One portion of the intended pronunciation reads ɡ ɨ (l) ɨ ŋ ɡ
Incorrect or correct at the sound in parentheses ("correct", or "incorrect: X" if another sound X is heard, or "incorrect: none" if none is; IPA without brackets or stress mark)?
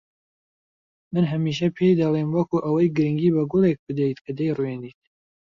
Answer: incorrect: ɾ